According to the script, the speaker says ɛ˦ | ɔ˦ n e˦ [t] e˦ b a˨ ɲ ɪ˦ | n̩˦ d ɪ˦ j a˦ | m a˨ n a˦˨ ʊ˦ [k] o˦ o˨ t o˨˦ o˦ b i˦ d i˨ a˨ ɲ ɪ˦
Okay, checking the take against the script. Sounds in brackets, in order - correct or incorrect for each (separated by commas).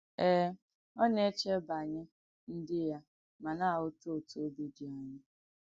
incorrect, incorrect